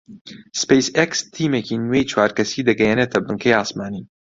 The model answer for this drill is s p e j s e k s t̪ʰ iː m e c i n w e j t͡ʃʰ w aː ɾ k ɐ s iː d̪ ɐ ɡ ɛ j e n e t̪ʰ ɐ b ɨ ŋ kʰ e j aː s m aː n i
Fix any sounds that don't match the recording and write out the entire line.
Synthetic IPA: s p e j s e k s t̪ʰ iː m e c i n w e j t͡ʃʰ w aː ɾ k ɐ s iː d̪ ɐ ɡ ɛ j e n e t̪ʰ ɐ b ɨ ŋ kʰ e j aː s m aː n i